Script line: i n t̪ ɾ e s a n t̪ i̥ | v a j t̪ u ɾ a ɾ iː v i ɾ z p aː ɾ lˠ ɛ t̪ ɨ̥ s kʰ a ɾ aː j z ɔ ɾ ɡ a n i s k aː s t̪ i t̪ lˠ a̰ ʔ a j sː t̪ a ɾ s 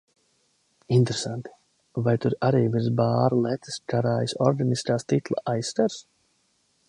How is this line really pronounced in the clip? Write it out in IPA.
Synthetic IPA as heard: i n t̪ ɾ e s a n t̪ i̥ | v a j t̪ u ɾ a ɾ iː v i ɾ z b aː ɾ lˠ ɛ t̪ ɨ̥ s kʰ a ɾ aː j s ɔ ɾ ɡ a n i s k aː s t̪ i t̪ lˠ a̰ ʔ a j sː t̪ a ɾ s